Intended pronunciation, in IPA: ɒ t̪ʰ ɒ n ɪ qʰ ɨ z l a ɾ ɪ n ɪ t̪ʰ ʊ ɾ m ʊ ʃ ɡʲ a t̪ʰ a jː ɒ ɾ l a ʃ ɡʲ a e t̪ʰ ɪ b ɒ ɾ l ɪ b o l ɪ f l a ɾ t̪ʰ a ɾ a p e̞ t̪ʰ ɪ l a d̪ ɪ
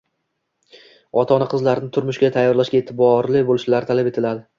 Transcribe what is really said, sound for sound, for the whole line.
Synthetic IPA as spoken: ɒ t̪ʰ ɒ n ɪ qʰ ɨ z l a ɾ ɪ n ɪ t̪ʰ ʊ ɾ m ʊ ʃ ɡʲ a t̪ʰ a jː ɒ ɾ l a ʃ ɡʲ a e t̪ʰ ɪ b ɒ ɾ l ɪ b o l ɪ ʃ l a ɾ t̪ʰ a l a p e̞ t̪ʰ ɪ l a d̪ ɪ